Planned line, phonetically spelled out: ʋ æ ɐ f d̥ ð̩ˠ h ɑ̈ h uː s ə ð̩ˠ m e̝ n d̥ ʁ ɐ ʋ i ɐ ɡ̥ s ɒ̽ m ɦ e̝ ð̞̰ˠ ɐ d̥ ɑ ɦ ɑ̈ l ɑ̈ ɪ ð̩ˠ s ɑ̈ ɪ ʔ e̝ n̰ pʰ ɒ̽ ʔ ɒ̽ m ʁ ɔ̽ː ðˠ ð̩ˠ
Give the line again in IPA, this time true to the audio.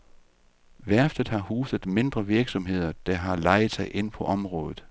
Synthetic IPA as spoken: ʋ æ ɐ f d̥ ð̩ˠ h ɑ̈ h uː s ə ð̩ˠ m e̝ n d̥ ʁ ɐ ʋ i ɐ ɡ̥ s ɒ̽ m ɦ e̝ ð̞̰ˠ ɐ d̥ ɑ ɦ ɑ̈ l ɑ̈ ɪ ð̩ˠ s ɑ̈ ɪ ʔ e̝ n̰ pʰ ɒ̽ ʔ ɒ̽ m ʁ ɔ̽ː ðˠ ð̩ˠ